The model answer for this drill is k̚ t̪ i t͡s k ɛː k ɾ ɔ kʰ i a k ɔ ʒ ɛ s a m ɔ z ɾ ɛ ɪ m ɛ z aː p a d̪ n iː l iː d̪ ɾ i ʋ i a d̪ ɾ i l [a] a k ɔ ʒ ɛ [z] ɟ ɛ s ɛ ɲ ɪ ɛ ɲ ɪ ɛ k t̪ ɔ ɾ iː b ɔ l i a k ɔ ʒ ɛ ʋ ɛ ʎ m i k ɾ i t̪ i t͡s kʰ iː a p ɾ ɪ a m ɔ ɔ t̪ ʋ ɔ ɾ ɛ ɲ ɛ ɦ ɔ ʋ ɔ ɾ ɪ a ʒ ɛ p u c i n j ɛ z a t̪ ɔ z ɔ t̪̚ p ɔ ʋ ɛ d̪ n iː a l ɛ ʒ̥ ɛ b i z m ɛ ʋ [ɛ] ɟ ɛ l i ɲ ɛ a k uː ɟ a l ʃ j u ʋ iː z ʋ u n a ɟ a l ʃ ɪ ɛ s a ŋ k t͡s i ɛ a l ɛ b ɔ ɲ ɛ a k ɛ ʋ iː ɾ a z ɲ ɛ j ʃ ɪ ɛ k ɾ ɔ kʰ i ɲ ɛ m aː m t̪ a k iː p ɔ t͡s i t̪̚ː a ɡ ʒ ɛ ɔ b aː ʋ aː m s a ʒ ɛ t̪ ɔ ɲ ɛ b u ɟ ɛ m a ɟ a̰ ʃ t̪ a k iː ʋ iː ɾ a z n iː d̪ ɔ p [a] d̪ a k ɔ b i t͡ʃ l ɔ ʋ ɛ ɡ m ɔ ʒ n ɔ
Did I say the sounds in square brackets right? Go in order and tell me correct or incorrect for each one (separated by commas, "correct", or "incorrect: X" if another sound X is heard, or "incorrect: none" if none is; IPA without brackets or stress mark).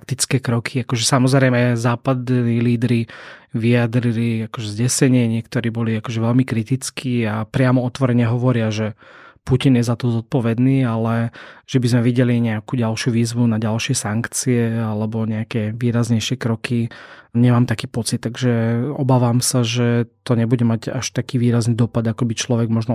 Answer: incorrect: i, correct, incorrect: i, correct